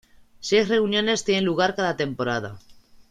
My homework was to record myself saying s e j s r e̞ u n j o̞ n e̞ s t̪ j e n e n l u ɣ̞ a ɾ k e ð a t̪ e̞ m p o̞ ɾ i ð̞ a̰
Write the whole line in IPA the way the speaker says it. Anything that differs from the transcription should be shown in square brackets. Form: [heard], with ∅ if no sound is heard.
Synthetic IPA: s e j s r e̞ u n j o̞ n e̞ s t̪ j e n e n l u ɣ̞ a ɾ k [a] ð a t̪ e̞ m p o̞ ɾ [a] ð̞ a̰